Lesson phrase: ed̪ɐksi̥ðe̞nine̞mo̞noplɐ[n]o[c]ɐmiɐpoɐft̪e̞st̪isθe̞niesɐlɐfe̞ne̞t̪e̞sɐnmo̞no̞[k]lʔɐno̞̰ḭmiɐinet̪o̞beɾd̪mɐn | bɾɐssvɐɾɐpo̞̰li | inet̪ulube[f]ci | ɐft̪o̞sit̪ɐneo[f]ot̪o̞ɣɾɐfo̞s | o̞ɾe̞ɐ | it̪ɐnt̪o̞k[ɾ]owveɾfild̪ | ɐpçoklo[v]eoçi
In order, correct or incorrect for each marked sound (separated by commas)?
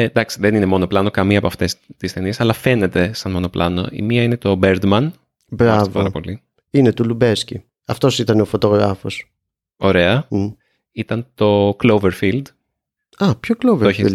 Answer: correct, incorrect, incorrect, incorrect, correct, incorrect, correct